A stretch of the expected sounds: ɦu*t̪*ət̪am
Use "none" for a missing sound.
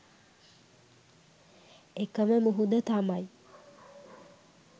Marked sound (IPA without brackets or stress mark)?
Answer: d̪